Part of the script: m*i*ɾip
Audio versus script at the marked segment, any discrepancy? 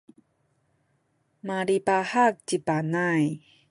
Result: yes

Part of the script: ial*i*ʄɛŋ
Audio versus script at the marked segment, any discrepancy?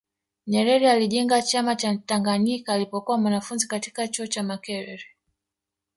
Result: no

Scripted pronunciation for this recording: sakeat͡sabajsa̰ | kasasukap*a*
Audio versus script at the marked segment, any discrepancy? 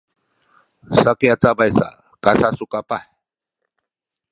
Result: no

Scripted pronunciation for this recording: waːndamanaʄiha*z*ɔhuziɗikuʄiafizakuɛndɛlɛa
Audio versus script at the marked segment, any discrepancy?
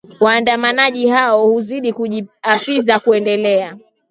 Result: yes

